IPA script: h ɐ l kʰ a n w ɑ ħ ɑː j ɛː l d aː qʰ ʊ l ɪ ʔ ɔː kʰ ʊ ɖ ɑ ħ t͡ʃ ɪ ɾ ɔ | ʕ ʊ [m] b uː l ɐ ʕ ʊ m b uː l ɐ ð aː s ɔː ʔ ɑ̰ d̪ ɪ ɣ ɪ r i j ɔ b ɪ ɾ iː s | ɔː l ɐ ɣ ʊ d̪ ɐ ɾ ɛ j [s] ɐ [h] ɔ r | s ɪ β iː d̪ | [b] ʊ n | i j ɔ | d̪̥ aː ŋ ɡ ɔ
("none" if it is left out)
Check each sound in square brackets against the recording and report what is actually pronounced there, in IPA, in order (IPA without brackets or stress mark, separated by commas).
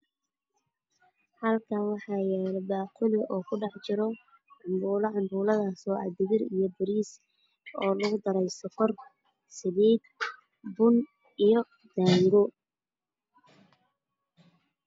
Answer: m, s, f, b